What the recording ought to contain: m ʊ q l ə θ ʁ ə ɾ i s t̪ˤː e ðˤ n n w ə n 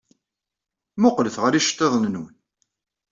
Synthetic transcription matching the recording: m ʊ q l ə θ ʁ ə ɾ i ʃ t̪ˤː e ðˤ n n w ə n